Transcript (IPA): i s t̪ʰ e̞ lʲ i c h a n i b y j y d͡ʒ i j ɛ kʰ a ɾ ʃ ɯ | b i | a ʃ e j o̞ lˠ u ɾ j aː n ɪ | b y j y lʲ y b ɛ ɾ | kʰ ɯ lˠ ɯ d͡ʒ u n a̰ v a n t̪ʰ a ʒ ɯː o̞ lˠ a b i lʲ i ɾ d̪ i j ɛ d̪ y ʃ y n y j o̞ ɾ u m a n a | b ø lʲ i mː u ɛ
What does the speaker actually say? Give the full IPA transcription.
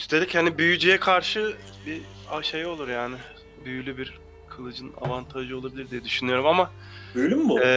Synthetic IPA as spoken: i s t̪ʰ e̞ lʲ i c h a n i b y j y d͡ʒ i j ɛ kʰ a ɾ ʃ ɯ | b i | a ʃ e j o̞ lˠ u ɾ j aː n ɪ | b y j y lʲ y b i ɾ | kʰ ɯ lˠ ɯ d͡ʒ ɯ n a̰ v a n t̪ʰ a ʒ ɯ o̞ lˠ a b i lʲ i ɾ d̪ i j ɛ d̪ y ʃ y n y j o̞ ɾ u m a m a | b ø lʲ y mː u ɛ